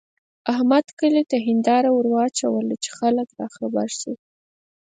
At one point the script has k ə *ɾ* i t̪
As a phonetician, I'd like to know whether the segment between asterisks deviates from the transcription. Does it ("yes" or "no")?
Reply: yes